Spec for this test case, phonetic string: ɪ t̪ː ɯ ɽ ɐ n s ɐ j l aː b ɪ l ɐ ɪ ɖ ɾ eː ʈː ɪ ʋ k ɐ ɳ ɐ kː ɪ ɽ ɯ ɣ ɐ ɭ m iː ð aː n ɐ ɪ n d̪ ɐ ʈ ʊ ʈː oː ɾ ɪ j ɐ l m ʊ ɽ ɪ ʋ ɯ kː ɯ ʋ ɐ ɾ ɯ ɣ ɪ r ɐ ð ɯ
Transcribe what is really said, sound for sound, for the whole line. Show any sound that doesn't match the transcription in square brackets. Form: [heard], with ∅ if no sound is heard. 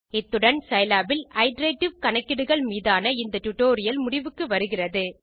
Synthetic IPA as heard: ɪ t̪ː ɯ ɽ ɐ n s ɐ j l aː b ɪ l ɐ ɪ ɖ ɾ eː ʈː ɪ ʋ k ɐ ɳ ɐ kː ɪ ɽ ɯ ɣ ɐ ɭ m iː ð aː n ɐ ɪ n d̪ ɐ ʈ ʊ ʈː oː ɾ ɪ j ɐ l m ʊ ɽ ɪ ʋ ɯ kː ɯ ʋ ɐ ɾ ɯ ɣ ɪ r ɐ ð ɯ